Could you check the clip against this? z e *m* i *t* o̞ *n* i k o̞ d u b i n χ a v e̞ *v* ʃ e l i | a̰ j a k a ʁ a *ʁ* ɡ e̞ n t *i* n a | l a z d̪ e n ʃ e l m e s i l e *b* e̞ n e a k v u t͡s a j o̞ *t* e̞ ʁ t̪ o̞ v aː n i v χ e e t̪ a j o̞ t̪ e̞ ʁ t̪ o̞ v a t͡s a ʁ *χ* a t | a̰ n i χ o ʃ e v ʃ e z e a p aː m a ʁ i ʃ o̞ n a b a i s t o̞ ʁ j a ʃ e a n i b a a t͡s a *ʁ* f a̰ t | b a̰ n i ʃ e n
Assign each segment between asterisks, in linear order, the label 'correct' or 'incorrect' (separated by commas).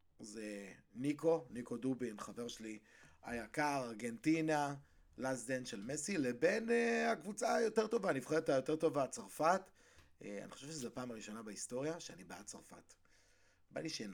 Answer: incorrect, incorrect, correct, incorrect, correct, correct, correct, correct, incorrect, correct